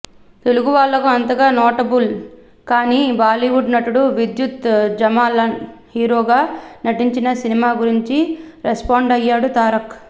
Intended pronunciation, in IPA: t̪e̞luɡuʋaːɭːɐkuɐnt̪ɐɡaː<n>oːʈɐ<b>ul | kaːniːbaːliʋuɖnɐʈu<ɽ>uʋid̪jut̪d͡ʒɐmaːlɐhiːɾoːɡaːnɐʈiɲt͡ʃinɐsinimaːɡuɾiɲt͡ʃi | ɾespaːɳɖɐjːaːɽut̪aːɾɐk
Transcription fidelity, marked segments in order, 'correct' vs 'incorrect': correct, correct, correct

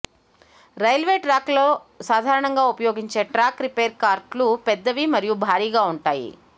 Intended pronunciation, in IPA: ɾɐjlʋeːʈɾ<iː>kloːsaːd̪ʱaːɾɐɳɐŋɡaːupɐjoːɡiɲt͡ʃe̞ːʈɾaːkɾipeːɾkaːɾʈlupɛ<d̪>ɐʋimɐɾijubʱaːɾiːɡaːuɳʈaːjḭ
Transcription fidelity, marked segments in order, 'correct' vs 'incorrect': incorrect, incorrect

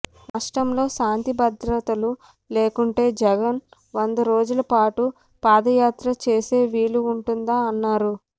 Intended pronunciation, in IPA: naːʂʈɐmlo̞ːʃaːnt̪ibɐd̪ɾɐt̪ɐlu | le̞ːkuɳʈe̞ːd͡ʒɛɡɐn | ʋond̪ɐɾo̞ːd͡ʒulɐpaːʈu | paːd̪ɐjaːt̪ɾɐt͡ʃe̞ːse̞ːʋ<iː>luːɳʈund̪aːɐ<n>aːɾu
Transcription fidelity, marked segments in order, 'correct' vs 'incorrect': correct, incorrect

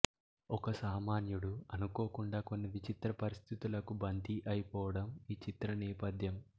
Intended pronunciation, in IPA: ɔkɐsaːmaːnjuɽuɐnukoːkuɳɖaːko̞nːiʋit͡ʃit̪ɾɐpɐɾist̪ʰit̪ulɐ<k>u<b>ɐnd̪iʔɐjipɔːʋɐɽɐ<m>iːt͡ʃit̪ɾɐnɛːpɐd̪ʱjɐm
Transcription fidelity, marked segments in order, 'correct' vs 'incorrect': correct, correct, correct

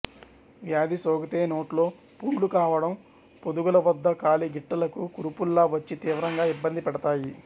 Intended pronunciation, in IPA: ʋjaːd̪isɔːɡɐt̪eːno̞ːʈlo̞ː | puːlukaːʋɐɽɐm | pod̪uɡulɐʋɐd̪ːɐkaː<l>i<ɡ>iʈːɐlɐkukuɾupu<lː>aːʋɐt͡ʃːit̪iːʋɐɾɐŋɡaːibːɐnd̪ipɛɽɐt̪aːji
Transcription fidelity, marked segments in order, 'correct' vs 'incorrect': correct, correct, correct

